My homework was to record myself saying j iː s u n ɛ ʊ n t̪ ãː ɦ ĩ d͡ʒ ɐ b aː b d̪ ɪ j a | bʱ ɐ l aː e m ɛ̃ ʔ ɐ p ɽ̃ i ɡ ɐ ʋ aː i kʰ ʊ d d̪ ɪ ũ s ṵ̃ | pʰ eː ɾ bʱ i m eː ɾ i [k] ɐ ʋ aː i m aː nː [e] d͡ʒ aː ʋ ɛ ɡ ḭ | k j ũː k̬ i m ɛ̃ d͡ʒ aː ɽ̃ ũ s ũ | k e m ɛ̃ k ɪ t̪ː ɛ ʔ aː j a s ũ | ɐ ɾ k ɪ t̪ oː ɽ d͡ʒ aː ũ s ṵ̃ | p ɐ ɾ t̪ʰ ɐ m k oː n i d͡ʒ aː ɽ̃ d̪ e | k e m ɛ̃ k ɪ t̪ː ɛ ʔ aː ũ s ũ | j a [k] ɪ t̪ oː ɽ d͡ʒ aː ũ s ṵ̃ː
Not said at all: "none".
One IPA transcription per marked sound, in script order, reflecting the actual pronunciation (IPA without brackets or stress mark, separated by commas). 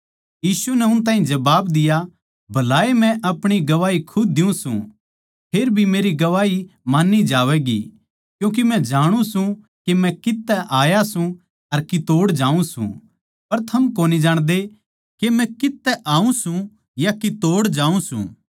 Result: ɡ, i, k